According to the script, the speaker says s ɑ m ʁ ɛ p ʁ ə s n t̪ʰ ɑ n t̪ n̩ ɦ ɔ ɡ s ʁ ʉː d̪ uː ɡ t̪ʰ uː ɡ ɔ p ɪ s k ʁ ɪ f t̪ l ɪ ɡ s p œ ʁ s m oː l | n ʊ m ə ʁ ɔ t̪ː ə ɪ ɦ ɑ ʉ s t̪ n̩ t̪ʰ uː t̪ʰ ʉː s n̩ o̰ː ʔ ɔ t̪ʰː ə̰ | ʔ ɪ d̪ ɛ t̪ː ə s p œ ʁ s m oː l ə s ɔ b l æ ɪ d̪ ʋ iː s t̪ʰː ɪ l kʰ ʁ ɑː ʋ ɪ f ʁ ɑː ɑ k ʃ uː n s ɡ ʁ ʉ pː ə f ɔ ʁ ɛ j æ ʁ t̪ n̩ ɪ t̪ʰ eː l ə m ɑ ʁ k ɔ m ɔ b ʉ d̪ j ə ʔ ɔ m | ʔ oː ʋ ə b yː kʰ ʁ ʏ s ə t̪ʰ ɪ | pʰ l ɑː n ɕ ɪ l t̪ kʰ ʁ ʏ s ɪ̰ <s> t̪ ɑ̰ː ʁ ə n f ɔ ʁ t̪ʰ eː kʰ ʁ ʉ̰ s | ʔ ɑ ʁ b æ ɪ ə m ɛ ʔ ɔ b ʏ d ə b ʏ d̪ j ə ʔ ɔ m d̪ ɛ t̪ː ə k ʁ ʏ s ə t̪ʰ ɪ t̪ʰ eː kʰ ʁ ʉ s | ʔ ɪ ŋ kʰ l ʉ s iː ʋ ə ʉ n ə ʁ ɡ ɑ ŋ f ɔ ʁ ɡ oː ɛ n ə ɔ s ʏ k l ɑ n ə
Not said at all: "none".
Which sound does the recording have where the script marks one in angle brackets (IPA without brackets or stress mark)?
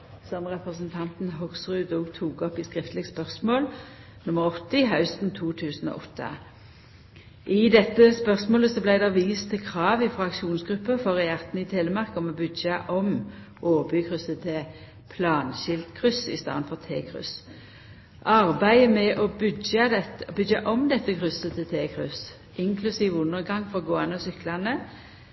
s